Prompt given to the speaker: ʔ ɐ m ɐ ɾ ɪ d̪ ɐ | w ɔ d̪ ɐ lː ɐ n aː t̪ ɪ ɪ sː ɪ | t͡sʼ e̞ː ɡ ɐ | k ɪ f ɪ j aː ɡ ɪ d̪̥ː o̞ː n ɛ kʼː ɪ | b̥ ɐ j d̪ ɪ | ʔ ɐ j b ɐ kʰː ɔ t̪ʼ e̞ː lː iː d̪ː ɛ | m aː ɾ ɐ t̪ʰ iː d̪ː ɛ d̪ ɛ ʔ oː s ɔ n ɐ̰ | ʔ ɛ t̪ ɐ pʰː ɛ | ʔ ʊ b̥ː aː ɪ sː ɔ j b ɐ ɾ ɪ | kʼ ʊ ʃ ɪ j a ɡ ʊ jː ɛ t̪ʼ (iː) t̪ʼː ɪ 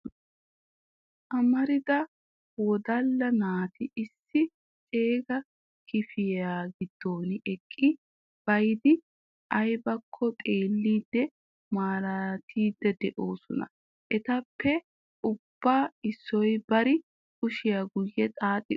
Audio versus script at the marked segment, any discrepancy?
yes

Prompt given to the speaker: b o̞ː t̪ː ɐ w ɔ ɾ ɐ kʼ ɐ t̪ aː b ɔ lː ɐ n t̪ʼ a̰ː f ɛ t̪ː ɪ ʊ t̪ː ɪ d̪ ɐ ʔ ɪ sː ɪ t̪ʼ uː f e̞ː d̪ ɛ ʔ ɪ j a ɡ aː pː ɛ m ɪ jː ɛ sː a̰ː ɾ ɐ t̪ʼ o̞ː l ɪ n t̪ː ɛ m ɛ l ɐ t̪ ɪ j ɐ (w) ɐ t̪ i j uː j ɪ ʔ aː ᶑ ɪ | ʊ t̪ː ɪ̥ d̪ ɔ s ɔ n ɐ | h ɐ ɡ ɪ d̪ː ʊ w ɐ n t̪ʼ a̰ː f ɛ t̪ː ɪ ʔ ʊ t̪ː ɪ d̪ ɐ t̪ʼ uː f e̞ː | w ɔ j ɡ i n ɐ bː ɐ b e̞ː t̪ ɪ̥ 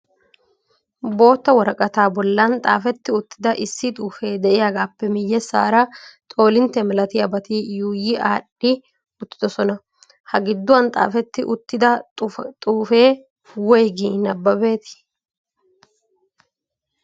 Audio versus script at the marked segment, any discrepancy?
yes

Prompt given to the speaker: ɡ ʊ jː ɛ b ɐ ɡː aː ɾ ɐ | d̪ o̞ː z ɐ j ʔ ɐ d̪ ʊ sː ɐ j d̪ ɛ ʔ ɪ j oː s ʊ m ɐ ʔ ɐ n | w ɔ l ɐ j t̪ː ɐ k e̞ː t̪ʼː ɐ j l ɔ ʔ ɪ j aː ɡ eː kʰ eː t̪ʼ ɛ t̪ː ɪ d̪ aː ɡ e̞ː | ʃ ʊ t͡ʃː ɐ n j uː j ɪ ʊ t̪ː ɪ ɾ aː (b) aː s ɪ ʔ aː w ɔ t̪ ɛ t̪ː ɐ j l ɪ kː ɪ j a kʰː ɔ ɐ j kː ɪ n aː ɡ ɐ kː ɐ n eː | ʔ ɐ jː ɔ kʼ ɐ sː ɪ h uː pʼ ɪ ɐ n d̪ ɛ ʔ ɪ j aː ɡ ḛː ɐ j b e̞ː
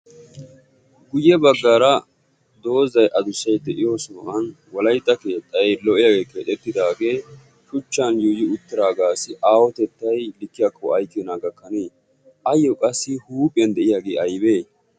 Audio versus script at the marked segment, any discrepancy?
yes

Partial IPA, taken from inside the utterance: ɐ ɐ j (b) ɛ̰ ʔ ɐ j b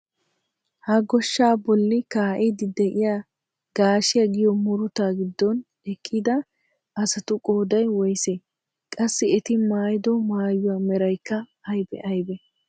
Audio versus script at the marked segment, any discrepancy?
no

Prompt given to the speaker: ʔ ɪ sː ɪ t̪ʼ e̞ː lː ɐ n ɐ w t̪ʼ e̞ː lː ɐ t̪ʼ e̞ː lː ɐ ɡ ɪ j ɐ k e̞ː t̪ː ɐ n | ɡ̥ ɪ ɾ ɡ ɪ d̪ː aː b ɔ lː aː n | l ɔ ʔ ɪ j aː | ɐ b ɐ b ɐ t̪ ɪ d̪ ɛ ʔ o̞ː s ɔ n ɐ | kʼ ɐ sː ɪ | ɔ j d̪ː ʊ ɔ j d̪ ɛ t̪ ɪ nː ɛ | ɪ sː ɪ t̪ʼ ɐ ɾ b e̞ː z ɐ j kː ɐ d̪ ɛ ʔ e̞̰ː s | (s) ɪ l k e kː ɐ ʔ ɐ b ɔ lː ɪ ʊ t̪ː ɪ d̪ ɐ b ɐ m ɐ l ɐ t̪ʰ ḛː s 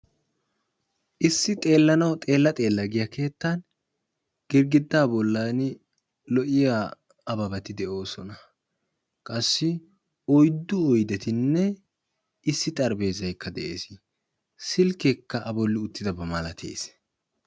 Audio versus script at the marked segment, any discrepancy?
no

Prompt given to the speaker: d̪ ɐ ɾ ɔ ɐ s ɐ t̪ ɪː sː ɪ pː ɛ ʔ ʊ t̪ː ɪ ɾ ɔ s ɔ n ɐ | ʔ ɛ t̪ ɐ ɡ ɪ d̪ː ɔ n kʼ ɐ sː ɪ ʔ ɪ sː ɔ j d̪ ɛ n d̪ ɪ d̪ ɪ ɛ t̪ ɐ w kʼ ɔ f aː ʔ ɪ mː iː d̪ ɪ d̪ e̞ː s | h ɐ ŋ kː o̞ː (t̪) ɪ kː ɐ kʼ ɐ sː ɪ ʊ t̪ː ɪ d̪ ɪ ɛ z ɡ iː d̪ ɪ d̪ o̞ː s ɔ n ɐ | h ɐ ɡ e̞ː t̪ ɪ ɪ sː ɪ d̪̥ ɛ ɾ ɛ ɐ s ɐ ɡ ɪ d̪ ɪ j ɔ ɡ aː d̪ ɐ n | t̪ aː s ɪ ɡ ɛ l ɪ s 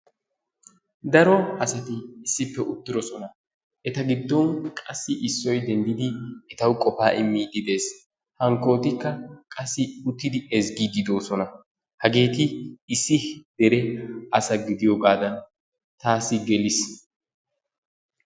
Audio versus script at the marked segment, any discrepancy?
no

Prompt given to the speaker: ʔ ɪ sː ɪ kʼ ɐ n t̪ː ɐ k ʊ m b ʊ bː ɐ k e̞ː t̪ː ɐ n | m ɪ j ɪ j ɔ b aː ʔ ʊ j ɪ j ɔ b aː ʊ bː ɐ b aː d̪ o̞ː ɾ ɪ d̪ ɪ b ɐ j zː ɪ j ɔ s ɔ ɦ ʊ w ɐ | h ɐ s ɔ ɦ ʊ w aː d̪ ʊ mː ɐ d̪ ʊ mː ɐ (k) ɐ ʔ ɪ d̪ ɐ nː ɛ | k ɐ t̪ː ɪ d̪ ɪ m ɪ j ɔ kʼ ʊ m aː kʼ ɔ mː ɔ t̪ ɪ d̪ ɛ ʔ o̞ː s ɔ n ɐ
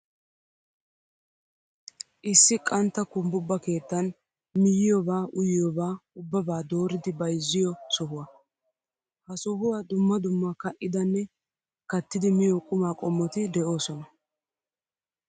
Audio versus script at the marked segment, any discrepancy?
no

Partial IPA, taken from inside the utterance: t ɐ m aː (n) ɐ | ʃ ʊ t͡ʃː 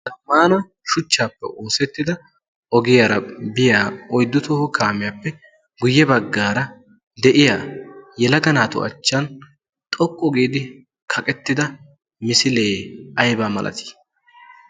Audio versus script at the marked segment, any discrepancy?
no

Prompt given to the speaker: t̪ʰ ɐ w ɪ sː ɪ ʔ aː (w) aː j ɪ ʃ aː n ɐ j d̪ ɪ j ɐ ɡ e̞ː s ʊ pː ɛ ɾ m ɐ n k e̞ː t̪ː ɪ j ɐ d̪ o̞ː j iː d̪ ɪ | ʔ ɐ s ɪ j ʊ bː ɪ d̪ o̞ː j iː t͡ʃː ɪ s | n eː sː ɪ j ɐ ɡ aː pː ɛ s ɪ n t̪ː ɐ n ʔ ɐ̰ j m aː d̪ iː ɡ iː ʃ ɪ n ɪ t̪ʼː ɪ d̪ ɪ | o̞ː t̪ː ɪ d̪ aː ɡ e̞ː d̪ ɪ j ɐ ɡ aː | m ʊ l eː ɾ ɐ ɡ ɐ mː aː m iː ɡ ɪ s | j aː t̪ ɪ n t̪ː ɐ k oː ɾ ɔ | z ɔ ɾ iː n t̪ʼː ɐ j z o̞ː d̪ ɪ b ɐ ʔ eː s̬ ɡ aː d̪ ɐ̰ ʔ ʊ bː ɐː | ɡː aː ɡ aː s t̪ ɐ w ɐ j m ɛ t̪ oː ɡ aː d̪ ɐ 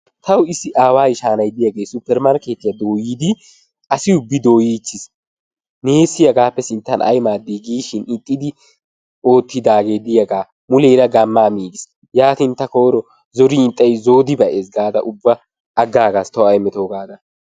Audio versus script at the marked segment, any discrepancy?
no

